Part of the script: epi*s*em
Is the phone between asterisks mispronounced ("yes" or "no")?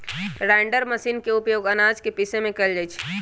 no